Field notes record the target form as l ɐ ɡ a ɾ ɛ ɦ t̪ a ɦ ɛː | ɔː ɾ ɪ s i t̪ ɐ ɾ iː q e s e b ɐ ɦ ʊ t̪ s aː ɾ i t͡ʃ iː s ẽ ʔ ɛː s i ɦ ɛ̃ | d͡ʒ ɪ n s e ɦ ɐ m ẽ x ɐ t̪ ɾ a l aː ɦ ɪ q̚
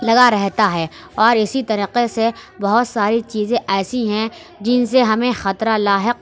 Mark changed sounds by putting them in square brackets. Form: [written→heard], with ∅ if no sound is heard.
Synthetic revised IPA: l ɐ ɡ a ɾ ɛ ɦ t̪ a ɦ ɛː | ɔː ɾ ɪ s i t̪ ɐ ɾ iː q e s e b ɐ ɦ ʊ t̪ s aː ɾ i t͡ʃ iː [s→z] ẽ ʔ ɛː s i ɦ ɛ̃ | d͡ʒ ɪ n s e ɦ ɐ m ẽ x ɐ t̪ ɾ a l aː ɦ ɪ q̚